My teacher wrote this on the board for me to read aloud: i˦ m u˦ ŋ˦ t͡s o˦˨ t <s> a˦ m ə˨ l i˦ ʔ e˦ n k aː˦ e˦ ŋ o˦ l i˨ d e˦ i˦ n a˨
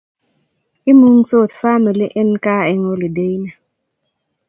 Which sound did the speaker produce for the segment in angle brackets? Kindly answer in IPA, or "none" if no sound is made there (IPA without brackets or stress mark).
f